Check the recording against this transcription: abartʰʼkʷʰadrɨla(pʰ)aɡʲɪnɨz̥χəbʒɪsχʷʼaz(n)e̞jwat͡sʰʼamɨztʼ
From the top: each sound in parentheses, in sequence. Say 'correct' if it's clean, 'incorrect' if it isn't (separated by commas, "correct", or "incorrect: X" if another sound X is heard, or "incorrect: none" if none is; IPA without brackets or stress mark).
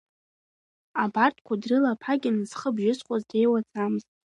correct, incorrect: d